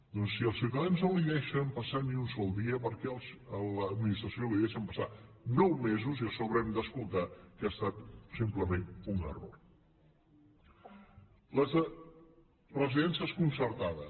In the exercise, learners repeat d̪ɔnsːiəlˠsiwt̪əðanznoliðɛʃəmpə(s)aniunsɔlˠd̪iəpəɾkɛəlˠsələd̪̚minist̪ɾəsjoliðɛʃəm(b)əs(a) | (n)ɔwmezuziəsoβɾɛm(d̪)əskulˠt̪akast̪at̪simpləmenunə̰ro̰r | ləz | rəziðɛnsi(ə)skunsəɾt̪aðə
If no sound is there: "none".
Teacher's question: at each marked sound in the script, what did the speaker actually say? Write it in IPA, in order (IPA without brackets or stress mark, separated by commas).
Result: s, p, a, n, d̪, ə